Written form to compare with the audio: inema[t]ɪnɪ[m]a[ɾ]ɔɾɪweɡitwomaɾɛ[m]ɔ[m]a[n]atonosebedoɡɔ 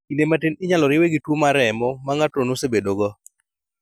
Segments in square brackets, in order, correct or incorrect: correct, incorrect: ɲ, incorrect: l, correct, correct, incorrect: ŋ

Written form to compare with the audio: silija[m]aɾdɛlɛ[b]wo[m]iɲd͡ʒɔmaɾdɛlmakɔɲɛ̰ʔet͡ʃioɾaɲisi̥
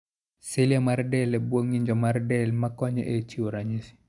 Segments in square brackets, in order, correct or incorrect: correct, correct, incorrect: ŋ

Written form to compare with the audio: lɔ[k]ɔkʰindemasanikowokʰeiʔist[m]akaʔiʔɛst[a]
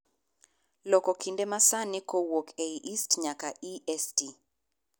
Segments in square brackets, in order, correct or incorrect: correct, incorrect: ɲ, incorrect: i

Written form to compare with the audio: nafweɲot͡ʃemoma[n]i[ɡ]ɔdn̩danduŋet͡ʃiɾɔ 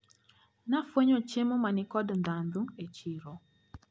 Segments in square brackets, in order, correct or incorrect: correct, incorrect: k

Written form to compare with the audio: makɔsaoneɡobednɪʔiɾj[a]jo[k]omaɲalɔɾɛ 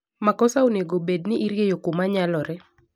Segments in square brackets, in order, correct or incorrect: incorrect: e, correct

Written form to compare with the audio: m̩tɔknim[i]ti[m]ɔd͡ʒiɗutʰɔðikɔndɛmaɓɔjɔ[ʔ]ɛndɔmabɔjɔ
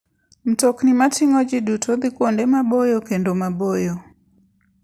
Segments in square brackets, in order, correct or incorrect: incorrect: a, incorrect: ŋ, incorrect: k

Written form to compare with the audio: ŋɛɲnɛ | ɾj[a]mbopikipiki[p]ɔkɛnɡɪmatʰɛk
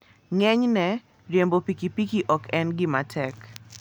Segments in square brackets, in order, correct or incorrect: incorrect: e, incorrect: ʔ

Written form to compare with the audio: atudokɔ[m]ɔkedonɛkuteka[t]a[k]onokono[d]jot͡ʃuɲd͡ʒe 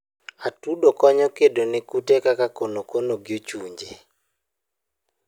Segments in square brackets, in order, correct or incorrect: incorrect: ɲ, incorrect: k, correct, incorrect: ɡ

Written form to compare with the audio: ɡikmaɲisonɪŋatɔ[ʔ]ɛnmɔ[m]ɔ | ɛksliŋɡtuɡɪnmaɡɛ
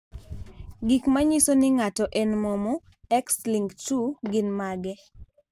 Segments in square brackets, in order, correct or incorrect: correct, correct

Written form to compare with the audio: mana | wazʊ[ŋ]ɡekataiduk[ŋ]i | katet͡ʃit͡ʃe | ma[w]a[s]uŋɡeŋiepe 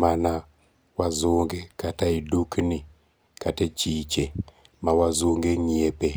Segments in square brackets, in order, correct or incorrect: correct, incorrect: n, correct, incorrect: z

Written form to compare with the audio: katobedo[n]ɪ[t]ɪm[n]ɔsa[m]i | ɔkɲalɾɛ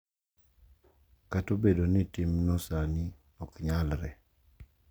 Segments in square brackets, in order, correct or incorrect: correct, correct, correct, incorrect: n

